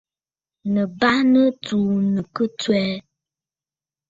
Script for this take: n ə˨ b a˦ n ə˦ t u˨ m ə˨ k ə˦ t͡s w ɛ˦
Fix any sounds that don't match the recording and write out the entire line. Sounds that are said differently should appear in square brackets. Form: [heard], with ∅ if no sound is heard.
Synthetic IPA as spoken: n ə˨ b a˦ n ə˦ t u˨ [n] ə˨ k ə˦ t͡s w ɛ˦

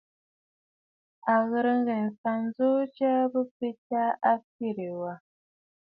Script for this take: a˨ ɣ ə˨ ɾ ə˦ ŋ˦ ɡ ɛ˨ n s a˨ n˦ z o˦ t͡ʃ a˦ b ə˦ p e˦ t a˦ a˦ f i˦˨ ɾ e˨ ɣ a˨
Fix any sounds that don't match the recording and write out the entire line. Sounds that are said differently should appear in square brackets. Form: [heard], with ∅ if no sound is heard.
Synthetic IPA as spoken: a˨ ɣ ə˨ ɾ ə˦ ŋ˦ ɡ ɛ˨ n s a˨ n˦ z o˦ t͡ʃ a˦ b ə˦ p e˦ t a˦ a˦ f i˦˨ ɾ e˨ [w] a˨

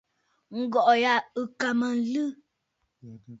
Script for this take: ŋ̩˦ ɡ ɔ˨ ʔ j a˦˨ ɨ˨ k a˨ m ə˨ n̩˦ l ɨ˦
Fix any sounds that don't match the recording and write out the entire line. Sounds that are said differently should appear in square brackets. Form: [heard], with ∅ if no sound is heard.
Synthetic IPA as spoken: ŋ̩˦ ɡ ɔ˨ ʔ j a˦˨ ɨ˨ k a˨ m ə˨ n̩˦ l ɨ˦

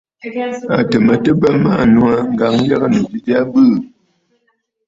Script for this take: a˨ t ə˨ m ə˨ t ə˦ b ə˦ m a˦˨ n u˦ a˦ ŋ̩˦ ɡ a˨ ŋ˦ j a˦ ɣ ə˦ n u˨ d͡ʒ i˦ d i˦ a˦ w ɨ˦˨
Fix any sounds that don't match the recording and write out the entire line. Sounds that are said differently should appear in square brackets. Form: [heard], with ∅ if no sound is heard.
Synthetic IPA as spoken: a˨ t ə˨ m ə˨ t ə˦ b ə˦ m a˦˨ n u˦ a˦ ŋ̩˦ ɡ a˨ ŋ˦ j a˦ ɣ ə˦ n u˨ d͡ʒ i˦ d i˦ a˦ [b] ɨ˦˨

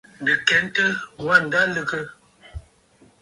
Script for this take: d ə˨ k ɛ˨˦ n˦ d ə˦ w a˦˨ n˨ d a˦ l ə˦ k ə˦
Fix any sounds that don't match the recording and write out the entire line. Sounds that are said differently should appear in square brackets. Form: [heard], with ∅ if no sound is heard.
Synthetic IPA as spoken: d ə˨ k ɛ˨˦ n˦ [t] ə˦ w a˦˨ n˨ d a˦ l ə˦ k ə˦

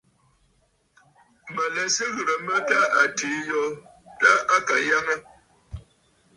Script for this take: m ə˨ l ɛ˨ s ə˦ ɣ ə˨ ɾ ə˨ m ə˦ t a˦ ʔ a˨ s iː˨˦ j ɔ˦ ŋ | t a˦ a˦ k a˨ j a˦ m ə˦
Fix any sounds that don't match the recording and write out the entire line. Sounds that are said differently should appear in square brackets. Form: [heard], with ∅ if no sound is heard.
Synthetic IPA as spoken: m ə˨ l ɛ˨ s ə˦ ɣ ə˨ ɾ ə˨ m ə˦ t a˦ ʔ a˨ [t] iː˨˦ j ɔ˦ [∅] | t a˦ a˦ k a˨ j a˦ [ŋ] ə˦

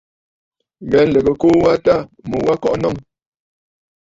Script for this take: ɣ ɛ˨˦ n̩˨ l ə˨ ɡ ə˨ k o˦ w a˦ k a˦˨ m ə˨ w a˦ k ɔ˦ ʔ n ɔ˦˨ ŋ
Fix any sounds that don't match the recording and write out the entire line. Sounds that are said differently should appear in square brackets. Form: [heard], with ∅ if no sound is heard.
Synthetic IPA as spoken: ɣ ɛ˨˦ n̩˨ l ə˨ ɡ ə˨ k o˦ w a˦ [t] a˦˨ m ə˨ w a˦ k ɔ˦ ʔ n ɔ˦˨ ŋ

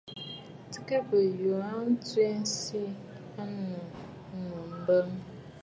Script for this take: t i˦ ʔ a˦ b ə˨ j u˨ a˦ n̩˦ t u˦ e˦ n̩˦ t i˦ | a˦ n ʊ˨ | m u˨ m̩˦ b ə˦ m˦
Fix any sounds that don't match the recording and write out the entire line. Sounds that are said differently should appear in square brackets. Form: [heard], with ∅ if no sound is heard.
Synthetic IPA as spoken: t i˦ [k] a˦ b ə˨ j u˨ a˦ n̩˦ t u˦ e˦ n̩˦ [s] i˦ | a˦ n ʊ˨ | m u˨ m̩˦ b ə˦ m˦

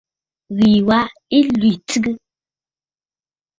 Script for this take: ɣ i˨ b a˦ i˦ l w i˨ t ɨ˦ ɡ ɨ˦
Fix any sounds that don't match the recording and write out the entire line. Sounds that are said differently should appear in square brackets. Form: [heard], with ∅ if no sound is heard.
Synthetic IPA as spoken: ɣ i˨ [w] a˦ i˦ l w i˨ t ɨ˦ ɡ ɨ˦

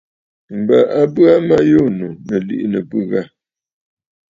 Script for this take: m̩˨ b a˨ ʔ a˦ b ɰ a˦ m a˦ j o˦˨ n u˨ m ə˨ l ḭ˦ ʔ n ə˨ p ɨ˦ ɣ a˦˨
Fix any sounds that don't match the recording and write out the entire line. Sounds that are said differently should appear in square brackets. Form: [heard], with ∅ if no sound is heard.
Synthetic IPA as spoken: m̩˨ b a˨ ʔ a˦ b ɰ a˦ m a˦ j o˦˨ n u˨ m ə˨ l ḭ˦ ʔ n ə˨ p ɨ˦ ɣ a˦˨

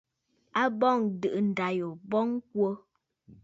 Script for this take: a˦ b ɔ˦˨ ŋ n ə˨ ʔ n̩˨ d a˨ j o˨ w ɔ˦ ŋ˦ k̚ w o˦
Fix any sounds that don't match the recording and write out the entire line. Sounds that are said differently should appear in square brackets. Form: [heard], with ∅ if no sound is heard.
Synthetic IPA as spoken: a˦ b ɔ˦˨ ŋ [d] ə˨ ʔ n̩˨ d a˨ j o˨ [b] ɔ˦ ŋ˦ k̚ w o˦

